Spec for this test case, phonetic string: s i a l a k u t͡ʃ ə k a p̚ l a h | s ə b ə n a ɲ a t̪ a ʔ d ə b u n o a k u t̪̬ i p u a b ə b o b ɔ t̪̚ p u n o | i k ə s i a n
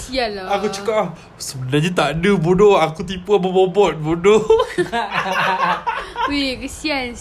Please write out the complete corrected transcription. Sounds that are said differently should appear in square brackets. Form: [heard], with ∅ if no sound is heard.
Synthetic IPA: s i a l a k u t͡ʃ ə k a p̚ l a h | s ə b ə n a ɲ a t̪ a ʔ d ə b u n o a k u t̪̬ i p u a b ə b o b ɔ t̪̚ [b] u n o | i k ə s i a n